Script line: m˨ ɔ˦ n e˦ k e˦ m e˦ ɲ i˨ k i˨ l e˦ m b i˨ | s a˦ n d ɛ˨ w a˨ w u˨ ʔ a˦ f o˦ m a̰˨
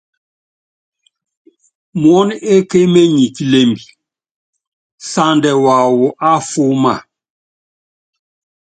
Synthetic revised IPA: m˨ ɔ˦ n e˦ k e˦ m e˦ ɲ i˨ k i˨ l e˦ m b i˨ | s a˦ n d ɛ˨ w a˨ w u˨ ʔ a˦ f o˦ m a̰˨